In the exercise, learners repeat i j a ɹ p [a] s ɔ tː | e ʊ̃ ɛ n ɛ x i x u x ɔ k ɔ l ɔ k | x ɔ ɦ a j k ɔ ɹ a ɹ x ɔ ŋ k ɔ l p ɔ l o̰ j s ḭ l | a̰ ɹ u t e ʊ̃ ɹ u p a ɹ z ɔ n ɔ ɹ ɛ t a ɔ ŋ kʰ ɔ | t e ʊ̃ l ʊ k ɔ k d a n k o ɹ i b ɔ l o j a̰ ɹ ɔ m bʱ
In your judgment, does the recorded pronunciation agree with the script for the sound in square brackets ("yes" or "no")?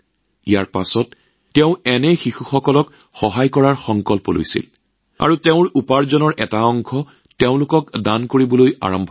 yes